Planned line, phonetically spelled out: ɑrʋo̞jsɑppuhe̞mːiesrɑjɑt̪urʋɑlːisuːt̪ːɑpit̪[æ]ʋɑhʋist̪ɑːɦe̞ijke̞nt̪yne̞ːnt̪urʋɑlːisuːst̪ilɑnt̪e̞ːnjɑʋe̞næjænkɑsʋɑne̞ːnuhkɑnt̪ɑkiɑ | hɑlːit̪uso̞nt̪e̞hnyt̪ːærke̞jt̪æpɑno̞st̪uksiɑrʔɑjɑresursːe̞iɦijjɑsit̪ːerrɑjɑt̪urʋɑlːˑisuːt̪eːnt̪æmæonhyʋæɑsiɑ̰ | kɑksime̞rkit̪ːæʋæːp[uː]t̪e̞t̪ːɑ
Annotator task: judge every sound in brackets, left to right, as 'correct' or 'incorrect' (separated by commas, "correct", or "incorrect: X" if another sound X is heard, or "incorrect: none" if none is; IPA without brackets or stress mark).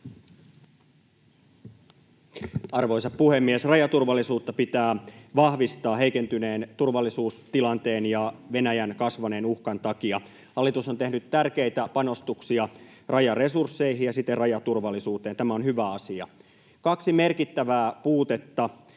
incorrect: æː, correct